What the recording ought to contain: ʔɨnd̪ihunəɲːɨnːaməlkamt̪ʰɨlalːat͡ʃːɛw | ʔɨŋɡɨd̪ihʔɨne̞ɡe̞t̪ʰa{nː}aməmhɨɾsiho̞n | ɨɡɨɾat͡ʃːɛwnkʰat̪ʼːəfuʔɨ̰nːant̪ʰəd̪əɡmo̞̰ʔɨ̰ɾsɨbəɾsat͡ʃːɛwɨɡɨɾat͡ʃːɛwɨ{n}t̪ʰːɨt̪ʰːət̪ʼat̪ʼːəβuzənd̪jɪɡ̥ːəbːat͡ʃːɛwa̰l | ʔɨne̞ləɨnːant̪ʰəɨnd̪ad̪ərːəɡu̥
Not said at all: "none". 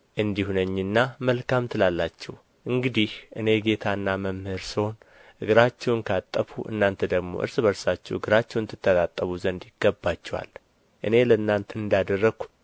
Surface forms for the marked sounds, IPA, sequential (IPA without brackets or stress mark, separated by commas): nː, n